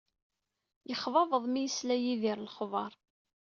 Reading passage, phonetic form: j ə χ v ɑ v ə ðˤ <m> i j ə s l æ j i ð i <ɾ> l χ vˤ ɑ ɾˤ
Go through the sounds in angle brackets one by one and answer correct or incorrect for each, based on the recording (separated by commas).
correct, correct